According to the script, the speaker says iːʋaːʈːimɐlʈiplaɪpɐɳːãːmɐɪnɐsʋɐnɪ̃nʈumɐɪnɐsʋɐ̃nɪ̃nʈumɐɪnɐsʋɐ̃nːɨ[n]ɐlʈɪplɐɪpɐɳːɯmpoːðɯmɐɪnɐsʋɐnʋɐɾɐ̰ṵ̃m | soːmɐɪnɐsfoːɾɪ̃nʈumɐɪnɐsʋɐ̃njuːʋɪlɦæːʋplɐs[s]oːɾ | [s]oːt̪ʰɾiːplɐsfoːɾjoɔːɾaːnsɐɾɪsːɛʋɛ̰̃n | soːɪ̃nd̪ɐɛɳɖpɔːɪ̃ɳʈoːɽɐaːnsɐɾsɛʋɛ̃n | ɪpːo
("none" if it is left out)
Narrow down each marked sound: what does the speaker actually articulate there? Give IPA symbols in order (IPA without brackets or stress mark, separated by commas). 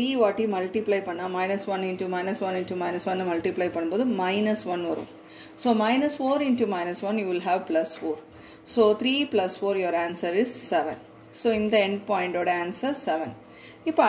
m, f, s